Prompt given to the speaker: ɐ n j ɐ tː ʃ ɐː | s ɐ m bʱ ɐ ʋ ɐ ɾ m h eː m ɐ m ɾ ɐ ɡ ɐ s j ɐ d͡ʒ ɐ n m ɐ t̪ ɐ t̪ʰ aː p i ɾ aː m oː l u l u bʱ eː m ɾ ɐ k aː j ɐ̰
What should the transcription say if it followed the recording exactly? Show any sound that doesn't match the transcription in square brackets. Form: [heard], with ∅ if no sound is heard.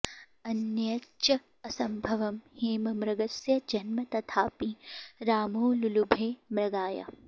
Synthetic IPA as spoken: ɐ n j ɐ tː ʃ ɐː | s ɐ m bʱ ɐ ʋ ɐ [∅] m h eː m ɐ m ɾ ɐ ɡ ɐ s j ɐ d͡ʒ ɐ n m ɐ t̪ ɐ t̪ʰ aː p i ɾ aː m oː l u l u bʱ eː m ɾ ɐ [ɡ] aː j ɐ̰